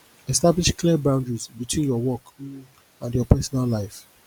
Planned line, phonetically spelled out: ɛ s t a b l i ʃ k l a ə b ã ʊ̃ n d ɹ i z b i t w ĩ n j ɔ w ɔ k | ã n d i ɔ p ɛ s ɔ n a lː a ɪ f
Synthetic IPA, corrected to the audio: ɛ s t a b l i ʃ k l i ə b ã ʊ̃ n d ɹ i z b i t w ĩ n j ɔ w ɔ k | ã n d j ɔ p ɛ s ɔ n a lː a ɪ f